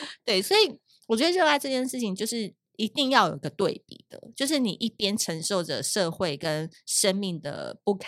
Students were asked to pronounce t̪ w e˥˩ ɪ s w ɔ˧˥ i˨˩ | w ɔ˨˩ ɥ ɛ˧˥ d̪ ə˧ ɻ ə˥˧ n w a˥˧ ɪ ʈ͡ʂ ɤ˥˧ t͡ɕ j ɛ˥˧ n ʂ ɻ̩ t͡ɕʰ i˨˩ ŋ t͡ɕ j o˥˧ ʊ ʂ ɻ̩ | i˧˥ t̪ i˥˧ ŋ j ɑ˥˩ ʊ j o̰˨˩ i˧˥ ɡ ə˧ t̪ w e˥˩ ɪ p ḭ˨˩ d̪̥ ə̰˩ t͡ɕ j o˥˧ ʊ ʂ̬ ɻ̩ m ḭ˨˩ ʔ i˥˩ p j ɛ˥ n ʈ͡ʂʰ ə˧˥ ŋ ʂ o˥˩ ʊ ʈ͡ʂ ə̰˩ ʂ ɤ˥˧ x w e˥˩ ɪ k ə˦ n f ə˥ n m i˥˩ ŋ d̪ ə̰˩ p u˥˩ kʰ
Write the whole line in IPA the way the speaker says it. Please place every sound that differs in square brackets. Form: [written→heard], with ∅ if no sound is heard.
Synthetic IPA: t̪ w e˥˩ ɪ s w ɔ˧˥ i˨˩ | w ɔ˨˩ ɥ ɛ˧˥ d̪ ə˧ ɻ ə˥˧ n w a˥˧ ɪ ʈ͡ʂ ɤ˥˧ t͡ɕ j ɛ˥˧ n ʂ ɻ̩ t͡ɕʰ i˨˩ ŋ t͡ɕ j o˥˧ ʊ ʂ ɻ̩ | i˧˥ t̪ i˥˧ ŋ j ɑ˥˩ ʊ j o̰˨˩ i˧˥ ɡ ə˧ t̪ w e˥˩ ɪ p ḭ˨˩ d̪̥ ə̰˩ t͡ɕ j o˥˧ ʊ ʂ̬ ɻ̩ [m→n] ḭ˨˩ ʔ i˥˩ p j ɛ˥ n ʈ͡ʂʰ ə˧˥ ŋ ʂ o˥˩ ʊ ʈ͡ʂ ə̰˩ ʂ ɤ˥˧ x w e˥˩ ɪ k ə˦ n [f→ʂ] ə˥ n m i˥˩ ŋ d̪ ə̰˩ p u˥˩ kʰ